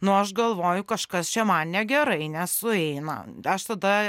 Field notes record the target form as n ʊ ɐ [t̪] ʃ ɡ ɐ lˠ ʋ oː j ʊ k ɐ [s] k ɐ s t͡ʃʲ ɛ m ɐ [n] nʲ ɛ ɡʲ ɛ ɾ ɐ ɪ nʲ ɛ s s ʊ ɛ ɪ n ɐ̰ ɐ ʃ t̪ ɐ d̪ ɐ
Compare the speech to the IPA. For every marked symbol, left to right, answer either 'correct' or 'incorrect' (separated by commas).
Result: incorrect, incorrect, correct